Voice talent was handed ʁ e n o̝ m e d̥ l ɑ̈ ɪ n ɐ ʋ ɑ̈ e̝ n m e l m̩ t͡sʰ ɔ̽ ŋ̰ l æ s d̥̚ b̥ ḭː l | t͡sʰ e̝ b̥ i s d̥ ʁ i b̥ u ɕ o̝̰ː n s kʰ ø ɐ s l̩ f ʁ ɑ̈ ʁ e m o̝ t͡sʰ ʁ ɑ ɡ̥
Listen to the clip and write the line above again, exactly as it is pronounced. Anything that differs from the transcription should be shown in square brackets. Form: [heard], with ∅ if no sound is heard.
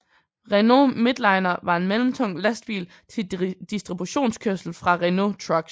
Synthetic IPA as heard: ʁ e n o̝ m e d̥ l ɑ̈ ɪ n ɐ ʋ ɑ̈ e̝ n m e l m̩ t͡sʰ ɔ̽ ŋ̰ l æ s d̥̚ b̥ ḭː l | t͡sʰ e̝ [d̥] i s d̥ ʁ i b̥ u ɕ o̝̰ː n s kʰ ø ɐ s l̩ f ʁ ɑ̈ ʁ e [n] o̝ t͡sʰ ʁ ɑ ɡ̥

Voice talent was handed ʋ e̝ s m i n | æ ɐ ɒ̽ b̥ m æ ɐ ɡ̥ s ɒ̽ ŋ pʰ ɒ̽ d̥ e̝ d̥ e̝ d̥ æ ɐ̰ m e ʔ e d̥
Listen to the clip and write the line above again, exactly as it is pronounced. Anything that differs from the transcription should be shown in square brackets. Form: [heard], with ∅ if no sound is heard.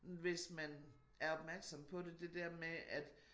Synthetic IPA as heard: ʋ e̝ s m [æ] n | æ ɐ ɒ̽ b̥ m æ ɐ ɡ̥ s ɒ̽ [m] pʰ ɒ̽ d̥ e̝ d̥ e̝ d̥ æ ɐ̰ m e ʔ [æ] d̥

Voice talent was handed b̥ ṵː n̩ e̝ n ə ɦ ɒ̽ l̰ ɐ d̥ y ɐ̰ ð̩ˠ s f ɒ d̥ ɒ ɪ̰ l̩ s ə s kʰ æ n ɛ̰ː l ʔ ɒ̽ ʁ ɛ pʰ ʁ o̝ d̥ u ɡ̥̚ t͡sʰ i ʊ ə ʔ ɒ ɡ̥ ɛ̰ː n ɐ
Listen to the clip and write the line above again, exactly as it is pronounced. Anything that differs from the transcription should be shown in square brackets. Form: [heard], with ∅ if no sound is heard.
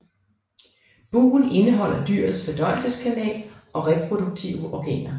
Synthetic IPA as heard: b̥ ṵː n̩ e̝ n ə ɦ ɒ̽ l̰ ɐ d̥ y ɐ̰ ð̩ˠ s f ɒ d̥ ɒ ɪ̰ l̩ s ə s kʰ æ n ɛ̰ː l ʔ ɒ̽ ʁ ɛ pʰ ʁ o̝ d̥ u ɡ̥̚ t͡sʰ i ʊ ə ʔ ɒ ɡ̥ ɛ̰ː n ɐ

